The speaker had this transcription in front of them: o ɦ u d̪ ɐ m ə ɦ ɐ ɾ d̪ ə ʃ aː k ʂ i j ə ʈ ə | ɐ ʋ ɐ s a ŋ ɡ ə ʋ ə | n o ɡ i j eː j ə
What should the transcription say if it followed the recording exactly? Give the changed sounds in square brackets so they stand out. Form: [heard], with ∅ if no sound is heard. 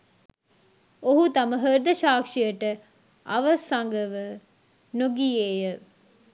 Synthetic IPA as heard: o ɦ u [t̪] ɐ m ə ɦ [ə] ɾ d̪ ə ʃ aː k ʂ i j ə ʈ ə | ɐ ʋ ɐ s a ŋ ɡ ə ʋ ə | n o ɡ i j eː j ə